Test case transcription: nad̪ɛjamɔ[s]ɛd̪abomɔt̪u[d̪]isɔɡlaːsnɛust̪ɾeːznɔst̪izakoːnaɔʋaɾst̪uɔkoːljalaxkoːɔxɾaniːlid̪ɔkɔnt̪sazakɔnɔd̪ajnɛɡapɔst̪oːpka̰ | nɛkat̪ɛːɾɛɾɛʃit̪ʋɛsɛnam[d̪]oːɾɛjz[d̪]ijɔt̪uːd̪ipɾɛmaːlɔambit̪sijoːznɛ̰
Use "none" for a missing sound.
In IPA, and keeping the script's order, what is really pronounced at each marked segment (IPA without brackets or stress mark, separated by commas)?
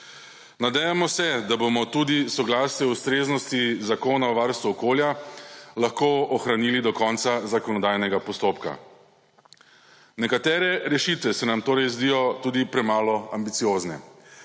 s, d̪, t̪, d̪